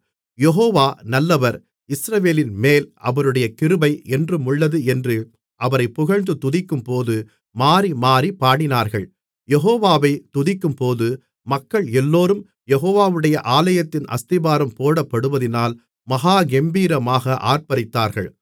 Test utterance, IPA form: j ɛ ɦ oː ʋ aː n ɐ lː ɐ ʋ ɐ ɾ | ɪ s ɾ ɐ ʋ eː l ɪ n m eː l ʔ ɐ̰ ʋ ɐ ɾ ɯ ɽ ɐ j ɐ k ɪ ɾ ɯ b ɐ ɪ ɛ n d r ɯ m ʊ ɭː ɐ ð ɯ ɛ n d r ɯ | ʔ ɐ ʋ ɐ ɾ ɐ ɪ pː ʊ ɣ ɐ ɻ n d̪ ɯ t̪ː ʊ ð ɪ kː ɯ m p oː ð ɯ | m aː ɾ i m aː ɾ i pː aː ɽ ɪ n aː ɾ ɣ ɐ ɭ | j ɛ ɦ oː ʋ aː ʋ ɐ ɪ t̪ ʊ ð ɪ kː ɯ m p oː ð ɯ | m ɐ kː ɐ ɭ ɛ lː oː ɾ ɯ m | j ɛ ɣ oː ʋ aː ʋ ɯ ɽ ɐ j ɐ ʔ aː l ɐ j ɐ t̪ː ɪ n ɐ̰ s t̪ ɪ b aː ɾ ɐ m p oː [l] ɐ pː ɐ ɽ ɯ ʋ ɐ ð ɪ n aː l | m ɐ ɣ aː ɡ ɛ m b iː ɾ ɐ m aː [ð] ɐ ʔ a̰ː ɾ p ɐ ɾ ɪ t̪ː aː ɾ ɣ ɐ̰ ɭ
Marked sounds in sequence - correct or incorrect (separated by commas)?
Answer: incorrect, incorrect